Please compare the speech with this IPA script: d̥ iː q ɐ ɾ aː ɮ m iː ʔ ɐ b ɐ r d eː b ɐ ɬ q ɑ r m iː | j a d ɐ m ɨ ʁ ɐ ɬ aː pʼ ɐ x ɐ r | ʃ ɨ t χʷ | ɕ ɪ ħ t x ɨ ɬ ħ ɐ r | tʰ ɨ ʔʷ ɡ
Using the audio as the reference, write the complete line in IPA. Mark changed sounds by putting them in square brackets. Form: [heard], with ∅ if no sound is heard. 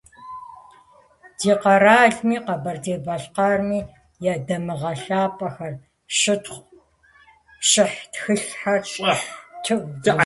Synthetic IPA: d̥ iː q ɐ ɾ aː ɮ m iː [q] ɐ b ɐ r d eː b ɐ ɬ q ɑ r m iː | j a d ɐ m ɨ ʁ ɐ ɬ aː pʼ ɐ x ɐ r | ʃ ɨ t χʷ | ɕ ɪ ħ t x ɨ ɬ ħ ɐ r | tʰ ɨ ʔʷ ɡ